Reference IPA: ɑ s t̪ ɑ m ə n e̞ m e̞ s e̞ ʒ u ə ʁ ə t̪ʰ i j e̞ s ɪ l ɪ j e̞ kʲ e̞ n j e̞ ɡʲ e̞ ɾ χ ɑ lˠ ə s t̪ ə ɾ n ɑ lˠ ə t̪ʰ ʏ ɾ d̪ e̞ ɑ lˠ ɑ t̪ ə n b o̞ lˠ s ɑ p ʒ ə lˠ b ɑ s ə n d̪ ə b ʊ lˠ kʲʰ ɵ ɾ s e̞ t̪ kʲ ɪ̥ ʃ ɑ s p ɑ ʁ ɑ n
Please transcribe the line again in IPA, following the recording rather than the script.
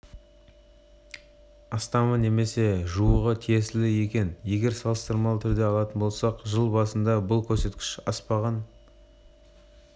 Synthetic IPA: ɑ s t̪ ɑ m ə n e̞ m e̞ s e̞ ʒ u ə ʁ ə t̪ʰ i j e̞ s ɪ l ɪ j e̞ kʲ e̞ n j e̞ ɡʲ e̞ ɾ s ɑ lˠ ə s t̪ ə ɾ m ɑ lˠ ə t̪ʰ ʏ ɾ d̪ e̞ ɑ lˠ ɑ t̪ ə n b o̞ lˠ s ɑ q ʒ ə lˠ b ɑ s ə n d̪ ɑ b ʊ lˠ kʲʰ ɵ ɾ s e̞ t̪ kʲ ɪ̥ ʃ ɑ s p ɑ ʁ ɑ n